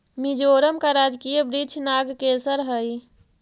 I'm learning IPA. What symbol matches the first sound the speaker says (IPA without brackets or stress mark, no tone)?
m